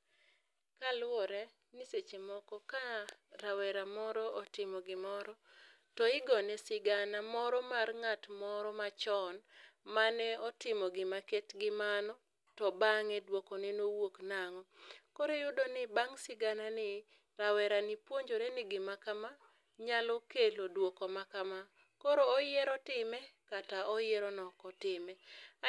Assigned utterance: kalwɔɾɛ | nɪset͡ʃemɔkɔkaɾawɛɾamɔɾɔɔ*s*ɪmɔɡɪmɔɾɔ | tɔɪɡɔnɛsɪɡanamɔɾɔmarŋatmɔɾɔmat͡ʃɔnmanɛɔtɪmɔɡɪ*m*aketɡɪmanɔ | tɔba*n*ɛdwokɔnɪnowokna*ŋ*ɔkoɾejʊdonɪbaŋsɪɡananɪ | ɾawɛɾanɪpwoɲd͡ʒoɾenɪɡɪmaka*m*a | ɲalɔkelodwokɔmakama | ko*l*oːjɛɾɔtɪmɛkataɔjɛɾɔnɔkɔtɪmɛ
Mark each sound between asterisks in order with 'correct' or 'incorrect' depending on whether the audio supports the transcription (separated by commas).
incorrect, correct, incorrect, correct, correct, incorrect